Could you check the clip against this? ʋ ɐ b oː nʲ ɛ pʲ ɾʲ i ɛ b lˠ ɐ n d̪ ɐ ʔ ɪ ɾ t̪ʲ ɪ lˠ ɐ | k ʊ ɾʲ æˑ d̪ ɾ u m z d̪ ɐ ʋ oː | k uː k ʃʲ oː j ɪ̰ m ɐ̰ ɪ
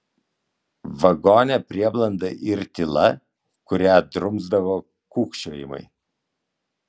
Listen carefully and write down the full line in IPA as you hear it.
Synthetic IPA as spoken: ʋ ɐ ɡ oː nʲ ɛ pʲ ɾʲ i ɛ b lˠ ɐ n d̪ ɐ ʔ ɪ ɾ t̪ʲ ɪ lˠ ɐ | k ʊ ɾʲ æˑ d̪ ɾ ʊ m z d̪ ɐ ʋ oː | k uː k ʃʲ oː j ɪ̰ m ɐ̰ ɪ